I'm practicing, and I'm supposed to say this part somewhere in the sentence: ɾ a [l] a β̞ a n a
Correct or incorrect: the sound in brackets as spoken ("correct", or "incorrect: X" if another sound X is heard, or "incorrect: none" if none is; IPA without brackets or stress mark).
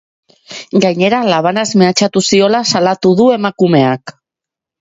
correct